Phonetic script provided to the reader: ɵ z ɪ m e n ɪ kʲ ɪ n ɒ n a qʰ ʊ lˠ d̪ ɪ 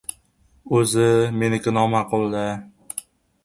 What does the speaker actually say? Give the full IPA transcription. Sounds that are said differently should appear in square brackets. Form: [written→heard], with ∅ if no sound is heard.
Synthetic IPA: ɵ z ɪ m e n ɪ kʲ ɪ n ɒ [n→m] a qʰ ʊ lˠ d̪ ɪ